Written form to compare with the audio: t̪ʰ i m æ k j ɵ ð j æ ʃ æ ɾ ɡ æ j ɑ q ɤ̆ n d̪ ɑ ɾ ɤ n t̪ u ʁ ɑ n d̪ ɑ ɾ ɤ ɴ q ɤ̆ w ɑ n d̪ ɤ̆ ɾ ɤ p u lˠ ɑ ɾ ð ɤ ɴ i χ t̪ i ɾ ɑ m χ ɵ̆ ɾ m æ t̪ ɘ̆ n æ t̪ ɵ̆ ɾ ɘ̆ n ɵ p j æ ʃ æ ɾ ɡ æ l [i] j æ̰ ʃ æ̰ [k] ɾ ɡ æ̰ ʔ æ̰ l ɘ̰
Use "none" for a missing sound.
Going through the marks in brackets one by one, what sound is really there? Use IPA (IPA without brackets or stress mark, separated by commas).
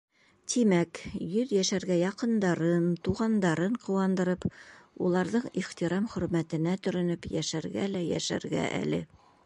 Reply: æ, none